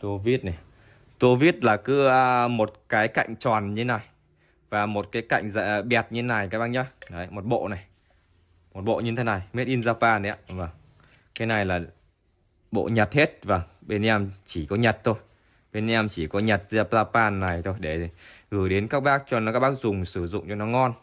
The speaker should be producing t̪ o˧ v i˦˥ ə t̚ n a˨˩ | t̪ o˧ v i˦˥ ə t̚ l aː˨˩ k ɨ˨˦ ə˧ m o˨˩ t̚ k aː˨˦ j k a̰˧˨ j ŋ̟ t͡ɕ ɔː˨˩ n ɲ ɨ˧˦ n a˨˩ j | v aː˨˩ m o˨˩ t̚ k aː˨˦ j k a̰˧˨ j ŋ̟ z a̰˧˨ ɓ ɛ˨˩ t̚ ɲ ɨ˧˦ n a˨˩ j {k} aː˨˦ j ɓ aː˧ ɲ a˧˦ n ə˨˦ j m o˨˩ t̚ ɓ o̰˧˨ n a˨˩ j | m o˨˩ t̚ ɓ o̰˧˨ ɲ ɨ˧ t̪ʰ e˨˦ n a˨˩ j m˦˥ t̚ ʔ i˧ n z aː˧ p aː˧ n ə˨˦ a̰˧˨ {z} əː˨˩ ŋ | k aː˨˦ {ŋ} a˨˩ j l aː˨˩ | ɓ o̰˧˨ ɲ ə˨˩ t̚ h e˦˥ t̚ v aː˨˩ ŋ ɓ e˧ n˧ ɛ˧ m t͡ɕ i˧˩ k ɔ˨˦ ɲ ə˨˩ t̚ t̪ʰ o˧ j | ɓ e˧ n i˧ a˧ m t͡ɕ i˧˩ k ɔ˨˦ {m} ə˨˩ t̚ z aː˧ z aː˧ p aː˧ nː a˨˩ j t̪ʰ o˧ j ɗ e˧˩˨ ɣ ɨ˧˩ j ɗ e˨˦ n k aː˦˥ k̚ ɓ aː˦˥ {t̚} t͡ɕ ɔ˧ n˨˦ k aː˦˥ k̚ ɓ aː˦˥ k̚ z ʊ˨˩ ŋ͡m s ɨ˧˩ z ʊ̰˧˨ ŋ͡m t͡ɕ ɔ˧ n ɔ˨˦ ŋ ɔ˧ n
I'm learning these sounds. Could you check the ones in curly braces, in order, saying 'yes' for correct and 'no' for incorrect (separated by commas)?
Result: yes, no, no, no, no